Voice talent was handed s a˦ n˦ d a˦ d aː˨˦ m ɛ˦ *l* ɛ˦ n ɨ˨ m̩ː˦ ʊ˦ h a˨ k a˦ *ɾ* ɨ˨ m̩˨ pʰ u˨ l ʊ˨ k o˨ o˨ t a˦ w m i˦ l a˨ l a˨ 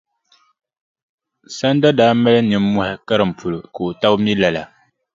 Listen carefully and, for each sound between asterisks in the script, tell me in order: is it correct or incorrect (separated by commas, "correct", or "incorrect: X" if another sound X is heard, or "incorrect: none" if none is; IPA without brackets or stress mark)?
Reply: correct, correct